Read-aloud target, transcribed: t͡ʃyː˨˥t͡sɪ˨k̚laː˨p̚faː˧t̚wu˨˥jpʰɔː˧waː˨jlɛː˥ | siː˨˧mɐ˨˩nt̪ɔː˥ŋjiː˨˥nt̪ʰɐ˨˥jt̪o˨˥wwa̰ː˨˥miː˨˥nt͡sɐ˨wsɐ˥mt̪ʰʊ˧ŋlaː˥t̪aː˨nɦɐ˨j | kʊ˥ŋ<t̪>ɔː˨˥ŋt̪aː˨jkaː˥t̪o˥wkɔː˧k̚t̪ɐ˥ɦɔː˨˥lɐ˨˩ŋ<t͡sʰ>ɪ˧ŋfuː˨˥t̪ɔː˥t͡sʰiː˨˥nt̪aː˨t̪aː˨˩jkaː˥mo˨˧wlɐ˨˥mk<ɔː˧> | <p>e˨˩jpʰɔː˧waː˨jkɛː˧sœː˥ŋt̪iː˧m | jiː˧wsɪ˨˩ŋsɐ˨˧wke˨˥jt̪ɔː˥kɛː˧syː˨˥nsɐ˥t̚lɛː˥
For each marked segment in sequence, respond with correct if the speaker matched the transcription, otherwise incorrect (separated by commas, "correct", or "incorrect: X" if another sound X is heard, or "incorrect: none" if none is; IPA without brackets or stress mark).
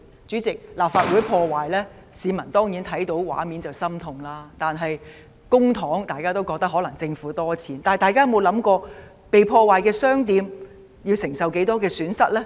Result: incorrect: t̪ʰ, incorrect: t͡s, correct, correct